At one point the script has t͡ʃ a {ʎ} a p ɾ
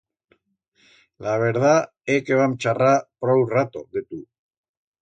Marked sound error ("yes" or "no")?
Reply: yes